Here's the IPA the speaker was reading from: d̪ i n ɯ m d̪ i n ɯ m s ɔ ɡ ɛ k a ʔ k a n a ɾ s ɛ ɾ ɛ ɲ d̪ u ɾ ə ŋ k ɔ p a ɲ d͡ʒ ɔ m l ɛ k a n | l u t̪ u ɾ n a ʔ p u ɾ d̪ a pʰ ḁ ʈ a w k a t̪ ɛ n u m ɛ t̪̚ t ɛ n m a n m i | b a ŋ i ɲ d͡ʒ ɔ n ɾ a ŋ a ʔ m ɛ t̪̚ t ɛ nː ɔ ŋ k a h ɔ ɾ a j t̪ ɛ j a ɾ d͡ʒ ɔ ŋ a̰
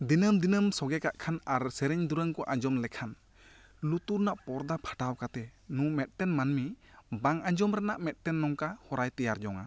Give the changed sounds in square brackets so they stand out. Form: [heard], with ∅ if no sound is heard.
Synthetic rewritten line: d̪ i n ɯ m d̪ i n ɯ m s ɔ ɡ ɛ k a ʔ [kʰ] a n a ɾ s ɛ ɾ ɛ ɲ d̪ u ɾ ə ŋ k ɔ [ʔ] a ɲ d͡ʒ ɔ m l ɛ [kʰ] a n | l u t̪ u ɾ n a ʔ p [ɔ] ɾ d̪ a pʰ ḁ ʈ a w k a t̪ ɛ n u m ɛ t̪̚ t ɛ n m a n m i | b a ŋ [a] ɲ d͡ʒ ɔ [m] ɾ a [n] a ʔ m ɛ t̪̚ t ɛ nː ɔ ŋ k a h ɔ ɾ a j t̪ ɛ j a ɾ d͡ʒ ɔ ŋ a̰